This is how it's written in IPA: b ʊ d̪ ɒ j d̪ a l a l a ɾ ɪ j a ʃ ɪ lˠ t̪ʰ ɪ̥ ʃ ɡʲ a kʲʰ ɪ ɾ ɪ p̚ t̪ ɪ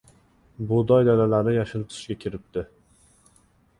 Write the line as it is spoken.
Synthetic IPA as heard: b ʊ d̪ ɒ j d̪ a l a l a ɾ ɪ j a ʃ ɪ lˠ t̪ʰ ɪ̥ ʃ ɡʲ a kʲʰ ɪ ɾ ɪ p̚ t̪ ɪ